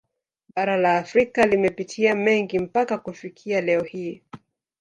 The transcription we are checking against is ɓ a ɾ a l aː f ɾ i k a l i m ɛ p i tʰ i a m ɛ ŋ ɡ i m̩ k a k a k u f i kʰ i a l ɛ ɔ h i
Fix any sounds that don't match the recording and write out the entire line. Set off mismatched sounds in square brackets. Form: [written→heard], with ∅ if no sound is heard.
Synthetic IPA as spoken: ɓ a ɾ a l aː f ɾ i k a l i m ɛ p i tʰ i a m ɛ ŋ ɡ i m̩ [k→p] a k a k u f i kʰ i a l ɛ ɔ h i